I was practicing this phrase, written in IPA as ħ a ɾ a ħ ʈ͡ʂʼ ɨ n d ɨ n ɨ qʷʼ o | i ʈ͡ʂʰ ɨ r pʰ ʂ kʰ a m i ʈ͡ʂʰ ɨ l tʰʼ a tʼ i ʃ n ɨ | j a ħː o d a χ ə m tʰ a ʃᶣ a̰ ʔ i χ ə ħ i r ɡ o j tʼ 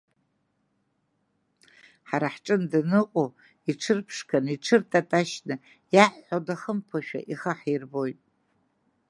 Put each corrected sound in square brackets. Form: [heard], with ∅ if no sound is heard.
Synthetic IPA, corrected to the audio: ħ a ɾ a ħ ʈ͡ʂʼ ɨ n d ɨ n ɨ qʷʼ o | i ʈ͡ʂʰ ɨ r pʰ ʂ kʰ a [n] i ʈ͡ʂʰ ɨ [r] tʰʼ a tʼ [a] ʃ n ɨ | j a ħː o d a χ ə m [pʰ] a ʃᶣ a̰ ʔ i χ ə ħ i r [b] o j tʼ